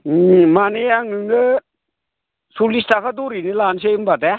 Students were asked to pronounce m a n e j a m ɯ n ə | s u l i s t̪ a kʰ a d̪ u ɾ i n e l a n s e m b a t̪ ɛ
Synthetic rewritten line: m a n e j a ŋ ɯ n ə | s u l i s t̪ a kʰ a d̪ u ɾ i n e l a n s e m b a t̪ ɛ